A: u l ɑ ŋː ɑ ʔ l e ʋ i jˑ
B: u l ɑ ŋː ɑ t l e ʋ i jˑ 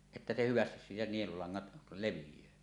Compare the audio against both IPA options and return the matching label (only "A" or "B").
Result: B